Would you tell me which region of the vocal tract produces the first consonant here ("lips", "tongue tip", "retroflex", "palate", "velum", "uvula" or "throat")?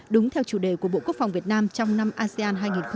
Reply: tongue tip